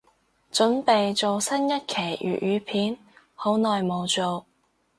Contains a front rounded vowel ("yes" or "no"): yes